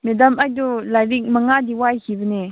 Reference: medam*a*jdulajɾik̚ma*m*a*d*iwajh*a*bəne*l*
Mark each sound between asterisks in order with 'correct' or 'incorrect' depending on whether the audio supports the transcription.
correct, incorrect: ŋ, correct, incorrect: i, incorrect: none

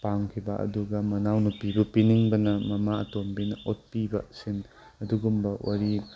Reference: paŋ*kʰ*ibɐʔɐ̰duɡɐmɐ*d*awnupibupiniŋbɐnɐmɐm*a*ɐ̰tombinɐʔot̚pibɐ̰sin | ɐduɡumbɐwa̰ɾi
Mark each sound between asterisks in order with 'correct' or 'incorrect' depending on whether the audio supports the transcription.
correct, incorrect: n, correct

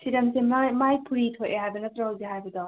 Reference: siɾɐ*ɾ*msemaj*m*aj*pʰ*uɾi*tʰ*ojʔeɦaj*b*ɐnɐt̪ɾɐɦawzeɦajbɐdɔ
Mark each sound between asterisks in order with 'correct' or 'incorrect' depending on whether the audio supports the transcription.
incorrect: none, correct, correct, correct, correct

